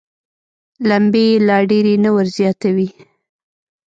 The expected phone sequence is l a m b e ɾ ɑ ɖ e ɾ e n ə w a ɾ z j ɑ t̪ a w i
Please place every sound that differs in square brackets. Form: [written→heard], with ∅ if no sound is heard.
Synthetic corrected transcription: l a m b e [ɾ→l] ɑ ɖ e ɾ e n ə w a ɾ z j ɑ t̪ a w i